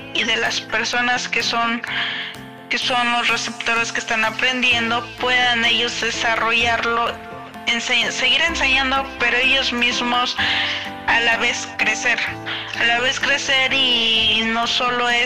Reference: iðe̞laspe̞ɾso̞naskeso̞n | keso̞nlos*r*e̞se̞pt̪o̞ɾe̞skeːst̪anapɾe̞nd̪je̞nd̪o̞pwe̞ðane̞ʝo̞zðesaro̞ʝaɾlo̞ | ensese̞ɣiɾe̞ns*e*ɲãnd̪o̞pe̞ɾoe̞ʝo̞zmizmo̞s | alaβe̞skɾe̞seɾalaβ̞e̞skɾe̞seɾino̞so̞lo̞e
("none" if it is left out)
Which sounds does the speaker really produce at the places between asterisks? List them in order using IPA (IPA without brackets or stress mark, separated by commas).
r, e